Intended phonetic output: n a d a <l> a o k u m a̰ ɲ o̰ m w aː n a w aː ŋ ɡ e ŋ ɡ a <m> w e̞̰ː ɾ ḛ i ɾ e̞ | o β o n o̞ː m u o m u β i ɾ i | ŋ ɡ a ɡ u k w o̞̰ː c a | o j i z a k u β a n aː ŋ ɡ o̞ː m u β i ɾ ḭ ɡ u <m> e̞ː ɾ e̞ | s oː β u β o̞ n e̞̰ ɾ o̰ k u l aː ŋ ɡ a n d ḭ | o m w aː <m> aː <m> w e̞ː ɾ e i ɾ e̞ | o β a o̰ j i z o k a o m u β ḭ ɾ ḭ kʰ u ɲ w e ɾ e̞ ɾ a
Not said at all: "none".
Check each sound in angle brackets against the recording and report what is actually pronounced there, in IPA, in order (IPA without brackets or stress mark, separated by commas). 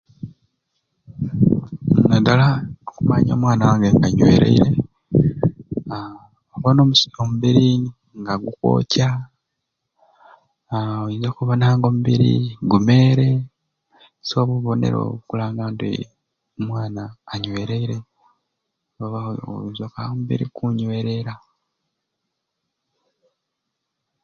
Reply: l, ɲ, m, n, ɲ